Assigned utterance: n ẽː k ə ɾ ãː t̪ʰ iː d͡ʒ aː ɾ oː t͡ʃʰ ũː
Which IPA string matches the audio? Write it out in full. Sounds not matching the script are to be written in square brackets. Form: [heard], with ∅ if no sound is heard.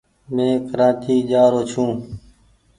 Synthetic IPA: [m] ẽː k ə ɾ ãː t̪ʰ iː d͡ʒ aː ɾ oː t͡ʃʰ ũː